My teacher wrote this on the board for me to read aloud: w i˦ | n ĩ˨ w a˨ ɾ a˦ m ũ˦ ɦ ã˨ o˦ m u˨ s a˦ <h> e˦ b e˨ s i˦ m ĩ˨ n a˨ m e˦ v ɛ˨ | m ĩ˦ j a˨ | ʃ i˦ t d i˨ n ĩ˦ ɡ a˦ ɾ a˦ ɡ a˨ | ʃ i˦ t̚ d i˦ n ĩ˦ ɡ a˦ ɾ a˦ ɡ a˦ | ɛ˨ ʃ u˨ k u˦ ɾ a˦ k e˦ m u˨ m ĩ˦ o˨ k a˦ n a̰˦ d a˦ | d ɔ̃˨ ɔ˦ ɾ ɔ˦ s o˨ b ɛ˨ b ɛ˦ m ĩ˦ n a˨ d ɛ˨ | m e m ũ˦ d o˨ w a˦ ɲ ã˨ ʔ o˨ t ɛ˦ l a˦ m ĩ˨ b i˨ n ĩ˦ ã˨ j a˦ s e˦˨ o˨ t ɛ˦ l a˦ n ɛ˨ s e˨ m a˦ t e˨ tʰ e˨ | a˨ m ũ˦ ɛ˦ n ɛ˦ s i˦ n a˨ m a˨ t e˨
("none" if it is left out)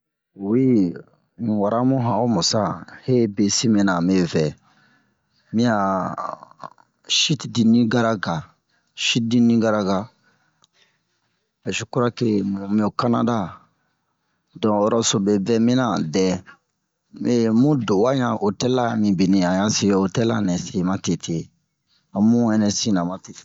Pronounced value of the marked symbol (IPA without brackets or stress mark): h